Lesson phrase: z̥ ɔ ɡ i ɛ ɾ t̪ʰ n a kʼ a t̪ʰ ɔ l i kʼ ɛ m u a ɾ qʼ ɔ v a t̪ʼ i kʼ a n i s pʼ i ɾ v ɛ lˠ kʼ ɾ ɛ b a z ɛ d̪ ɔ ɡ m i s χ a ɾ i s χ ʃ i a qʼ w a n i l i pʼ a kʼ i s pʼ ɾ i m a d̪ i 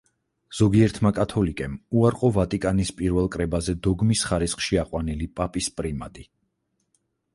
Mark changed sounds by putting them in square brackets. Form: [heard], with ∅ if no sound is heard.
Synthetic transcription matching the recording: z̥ ɔ ɡ i ɛ ɾ t̪ʰ [m] a kʼ a t̪ʰ ɔ l i kʼ ɛ m u a ɾ qʼ ɔ v a t̪ʼ i kʼ a n i s pʼ i ɾ v ɛ lˠ kʼ ɾ ɛ b a z ɛ d̪ ɔ ɡ m i s χ a ɾ i s χ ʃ i a qʼ w a n i l i pʼ a [pʼ] i s pʼ ɾ i m a d̪ i